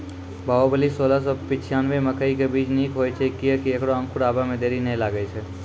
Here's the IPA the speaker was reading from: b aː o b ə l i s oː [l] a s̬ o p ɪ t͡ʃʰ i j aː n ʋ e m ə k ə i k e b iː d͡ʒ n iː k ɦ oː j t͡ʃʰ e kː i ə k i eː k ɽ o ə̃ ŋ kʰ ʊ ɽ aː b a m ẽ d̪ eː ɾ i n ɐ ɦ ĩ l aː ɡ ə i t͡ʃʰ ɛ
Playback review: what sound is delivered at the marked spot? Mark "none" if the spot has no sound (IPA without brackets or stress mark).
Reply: l